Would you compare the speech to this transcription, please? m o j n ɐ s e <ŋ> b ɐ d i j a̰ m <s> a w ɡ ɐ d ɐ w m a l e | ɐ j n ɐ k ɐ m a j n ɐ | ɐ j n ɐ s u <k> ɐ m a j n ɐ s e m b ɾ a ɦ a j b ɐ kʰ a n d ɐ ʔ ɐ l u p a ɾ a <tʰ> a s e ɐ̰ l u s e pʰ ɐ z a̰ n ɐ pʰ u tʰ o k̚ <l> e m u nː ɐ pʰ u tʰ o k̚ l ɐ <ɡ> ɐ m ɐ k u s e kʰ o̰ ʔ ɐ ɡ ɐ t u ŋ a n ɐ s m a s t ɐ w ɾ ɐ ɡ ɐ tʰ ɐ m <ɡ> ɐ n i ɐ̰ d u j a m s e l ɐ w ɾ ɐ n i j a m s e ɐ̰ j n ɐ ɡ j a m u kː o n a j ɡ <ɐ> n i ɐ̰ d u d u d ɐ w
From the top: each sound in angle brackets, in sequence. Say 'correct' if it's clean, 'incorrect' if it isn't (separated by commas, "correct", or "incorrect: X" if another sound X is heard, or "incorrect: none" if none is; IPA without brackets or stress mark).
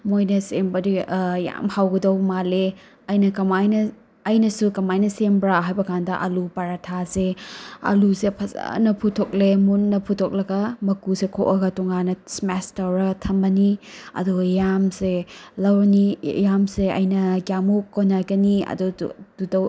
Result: incorrect: m, incorrect: h, correct, correct, correct, correct, incorrect: b, correct